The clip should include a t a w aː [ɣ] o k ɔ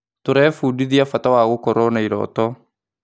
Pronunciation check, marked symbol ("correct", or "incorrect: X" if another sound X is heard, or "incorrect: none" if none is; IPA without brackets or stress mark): correct